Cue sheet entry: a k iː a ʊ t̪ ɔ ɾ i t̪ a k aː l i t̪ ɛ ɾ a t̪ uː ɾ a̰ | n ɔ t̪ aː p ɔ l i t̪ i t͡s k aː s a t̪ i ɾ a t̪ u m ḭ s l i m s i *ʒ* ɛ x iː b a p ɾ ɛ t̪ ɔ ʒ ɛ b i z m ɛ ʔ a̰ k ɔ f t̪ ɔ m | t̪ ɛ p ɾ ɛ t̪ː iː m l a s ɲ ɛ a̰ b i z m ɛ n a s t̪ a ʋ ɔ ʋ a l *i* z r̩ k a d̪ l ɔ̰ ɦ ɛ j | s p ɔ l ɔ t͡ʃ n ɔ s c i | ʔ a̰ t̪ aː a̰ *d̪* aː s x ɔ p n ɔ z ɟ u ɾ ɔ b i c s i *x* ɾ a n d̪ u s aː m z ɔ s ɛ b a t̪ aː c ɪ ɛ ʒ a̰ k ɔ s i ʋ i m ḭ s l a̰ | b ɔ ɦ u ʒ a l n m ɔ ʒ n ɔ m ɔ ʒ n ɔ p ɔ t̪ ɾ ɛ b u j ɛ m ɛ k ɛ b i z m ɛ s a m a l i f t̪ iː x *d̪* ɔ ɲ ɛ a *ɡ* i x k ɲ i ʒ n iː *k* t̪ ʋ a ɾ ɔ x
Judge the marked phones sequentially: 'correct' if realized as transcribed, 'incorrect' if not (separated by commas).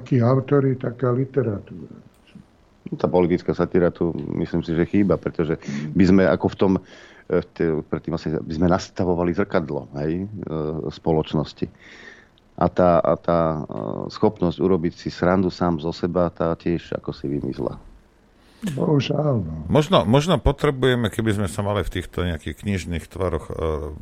correct, correct, incorrect, incorrect, incorrect, incorrect, incorrect